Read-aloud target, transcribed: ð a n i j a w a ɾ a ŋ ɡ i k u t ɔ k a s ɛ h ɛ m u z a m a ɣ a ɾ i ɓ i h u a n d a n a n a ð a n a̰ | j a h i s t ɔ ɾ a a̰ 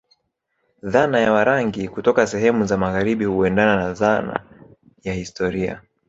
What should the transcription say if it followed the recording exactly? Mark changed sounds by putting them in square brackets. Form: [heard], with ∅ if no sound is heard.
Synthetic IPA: ð a n [a] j a w a ɾ a ŋ ɡ i k u t ɔ k a s ɛ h ɛ m u z a m a ɣ a ɾ i ɓ i h u [ɛ] n d a n a n a ð a n a̰ | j a h i s t ɔ ɾ [i] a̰